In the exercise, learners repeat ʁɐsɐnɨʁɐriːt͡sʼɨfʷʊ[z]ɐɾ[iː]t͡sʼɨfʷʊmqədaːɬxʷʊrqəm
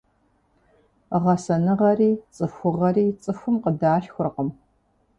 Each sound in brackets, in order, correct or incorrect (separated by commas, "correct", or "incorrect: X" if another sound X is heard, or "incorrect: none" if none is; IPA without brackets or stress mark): incorrect: ʁ, correct